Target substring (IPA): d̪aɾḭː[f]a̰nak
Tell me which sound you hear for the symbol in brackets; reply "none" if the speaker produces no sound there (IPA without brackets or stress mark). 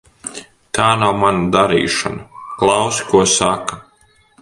ʃ